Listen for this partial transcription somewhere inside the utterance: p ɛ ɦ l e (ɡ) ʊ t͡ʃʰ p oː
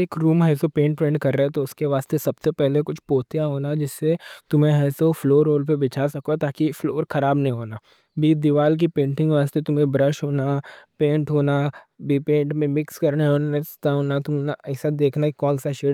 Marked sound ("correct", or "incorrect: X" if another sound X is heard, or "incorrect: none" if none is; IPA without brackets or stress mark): incorrect: k